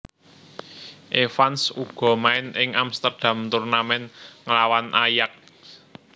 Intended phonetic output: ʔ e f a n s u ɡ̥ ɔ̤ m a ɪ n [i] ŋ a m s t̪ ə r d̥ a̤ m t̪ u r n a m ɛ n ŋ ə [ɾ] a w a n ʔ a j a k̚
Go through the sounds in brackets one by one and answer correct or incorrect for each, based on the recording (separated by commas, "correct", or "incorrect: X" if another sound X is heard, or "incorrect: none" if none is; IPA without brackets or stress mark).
incorrect: ɪ, incorrect: l